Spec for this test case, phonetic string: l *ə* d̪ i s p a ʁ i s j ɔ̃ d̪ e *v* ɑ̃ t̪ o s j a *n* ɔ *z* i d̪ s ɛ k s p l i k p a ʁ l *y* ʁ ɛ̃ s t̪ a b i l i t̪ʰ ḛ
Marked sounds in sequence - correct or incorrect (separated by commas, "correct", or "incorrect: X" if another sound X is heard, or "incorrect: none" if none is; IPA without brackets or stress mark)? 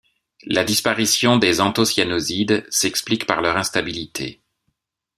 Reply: incorrect: a, incorrect: z, correct, correct, incorrect: œ